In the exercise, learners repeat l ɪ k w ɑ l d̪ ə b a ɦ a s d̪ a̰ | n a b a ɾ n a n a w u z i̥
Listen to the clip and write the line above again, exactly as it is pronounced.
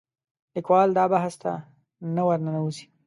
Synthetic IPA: l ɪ k w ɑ l d̪ ɑ b a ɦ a s t̪ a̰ | n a w a ɾ n a n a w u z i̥